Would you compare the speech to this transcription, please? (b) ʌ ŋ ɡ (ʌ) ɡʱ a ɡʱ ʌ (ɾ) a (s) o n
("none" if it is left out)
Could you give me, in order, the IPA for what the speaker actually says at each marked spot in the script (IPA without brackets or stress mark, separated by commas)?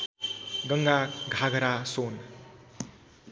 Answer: ɡ, a, ɾ, s